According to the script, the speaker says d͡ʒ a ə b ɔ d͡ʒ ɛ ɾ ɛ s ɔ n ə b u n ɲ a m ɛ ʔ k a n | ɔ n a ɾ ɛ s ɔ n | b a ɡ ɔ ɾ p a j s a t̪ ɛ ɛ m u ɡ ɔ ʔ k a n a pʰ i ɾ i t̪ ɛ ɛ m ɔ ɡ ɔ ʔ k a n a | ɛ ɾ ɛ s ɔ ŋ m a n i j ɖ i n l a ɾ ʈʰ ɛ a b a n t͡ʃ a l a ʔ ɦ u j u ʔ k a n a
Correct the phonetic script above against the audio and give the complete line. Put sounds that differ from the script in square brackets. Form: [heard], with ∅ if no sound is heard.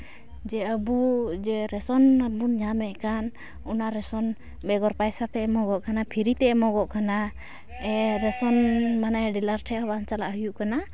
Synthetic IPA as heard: d͡ʒ [ɛ] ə b [u] d͡ʒ ɛ ɾ ɛ s ɔ n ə b u n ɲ a m ɛ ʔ k a n | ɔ n a ɾ ɛ s ɔ n | b [ɛ] ɡ ɔ ɾ p a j s a t̪ ɛ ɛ m [ɔ] ɡ ɔ ʔ k a n a pʰ i ɾ i t̪ ɛ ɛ m ɔ ɡ ɔ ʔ k a n a | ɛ ɾ ɛ s ɔ [n] m a n [a] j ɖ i [∅] l a ɾ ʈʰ ɛ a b a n t͡ʃ a l a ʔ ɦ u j u ʔ k a n a